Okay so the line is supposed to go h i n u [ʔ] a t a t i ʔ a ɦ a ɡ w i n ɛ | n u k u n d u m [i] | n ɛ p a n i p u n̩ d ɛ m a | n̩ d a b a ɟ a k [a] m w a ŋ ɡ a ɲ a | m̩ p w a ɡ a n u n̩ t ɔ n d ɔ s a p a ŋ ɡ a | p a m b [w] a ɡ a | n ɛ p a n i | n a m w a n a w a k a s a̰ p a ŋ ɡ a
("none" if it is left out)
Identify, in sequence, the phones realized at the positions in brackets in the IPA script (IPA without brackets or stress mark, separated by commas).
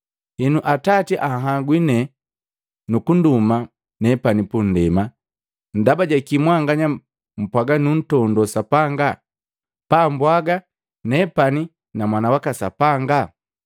ʔ, a, i, w